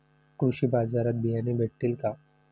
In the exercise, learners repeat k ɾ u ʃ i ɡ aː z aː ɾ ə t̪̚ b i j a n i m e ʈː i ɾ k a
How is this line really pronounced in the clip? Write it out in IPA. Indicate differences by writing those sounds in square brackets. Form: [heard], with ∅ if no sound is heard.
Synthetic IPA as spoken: k ɾ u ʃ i [b] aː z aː ɾ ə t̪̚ b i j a n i [b] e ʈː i [l] k a